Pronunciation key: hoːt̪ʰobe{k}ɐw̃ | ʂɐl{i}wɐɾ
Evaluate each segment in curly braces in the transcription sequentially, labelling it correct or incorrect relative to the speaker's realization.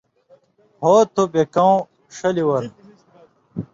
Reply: correct, correct

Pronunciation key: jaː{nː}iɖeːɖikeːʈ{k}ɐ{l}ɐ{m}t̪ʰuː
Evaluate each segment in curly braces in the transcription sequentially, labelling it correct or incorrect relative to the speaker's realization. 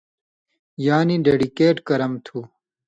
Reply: incorrect: n, correct, incorrect: ɾ, correct

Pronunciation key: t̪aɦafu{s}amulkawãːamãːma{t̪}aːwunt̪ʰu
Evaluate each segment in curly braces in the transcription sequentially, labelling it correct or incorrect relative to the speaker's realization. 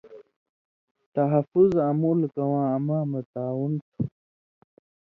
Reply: incorrect: z, correct

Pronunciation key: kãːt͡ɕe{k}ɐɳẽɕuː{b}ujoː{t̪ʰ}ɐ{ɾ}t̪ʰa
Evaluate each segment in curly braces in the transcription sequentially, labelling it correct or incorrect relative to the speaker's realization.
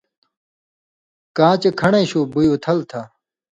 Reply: incorrect: kʰ, correct, correct, incorrect: l

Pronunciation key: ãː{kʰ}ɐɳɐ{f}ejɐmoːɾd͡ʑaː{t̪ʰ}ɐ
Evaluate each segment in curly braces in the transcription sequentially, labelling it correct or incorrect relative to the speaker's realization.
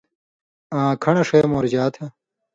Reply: correct, incorrect: ʂ, correct

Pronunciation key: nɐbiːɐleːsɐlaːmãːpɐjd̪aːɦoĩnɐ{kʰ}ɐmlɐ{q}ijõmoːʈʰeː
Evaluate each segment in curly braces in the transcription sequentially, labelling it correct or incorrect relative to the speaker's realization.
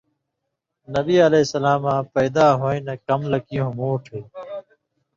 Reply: incorrect: k, incorrect: k

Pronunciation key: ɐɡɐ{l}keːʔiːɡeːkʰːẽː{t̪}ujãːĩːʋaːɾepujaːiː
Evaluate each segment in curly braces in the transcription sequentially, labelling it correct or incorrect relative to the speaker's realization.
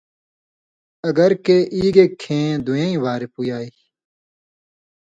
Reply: incorrect: ɾ, incorrect: d̪

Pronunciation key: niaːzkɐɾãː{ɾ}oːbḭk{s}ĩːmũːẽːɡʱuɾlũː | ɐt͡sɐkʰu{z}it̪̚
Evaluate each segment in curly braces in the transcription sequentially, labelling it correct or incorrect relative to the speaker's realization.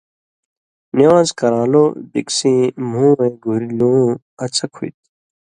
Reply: incorrect: l, correct, incorrect: none

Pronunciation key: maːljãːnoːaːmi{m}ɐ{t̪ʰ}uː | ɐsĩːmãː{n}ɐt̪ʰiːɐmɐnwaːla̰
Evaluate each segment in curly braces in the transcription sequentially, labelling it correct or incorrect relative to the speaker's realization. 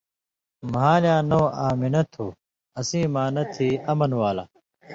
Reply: incorrect: n, correct, correct

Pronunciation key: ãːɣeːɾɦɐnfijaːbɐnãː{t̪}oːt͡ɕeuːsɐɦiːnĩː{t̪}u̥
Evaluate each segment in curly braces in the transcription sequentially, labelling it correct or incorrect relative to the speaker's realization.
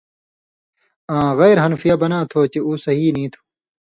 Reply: incorrect: t̪ʰ, incorrect: t̪ʰ

